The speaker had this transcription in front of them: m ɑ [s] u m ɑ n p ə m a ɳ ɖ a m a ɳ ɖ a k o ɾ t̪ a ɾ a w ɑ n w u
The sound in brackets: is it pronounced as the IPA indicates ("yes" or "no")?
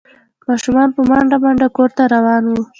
no